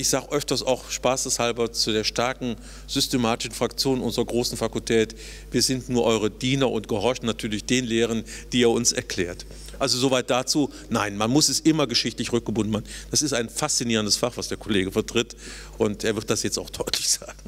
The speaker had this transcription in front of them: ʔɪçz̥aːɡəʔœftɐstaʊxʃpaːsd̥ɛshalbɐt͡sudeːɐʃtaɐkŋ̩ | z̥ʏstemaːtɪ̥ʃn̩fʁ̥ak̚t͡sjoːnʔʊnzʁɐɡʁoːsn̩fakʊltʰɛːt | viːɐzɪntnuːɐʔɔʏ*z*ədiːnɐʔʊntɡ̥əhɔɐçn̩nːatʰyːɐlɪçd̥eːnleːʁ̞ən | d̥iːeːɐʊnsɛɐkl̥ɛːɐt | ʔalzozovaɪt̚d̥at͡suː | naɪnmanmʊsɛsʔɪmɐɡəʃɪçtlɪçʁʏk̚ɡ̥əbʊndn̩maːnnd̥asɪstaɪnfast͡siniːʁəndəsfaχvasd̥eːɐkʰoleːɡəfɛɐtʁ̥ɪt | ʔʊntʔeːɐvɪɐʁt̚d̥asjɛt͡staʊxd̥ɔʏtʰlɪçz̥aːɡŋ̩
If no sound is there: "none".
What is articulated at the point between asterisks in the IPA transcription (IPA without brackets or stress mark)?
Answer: ʁ